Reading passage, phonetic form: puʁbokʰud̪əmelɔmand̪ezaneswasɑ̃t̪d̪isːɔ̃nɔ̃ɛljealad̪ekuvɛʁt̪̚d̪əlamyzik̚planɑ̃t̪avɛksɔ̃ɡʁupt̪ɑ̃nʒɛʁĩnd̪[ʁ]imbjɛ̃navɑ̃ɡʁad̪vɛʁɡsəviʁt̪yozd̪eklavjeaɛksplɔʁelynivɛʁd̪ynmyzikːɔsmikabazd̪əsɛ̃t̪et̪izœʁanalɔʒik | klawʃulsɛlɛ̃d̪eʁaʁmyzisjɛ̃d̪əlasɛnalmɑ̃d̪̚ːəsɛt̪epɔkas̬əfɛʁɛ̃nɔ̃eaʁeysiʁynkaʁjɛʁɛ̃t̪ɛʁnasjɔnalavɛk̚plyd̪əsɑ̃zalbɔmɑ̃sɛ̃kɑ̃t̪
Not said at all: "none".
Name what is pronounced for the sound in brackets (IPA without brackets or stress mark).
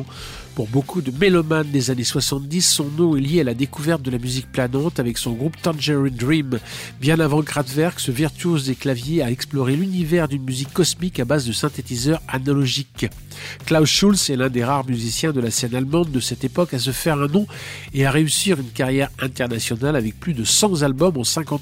ʁ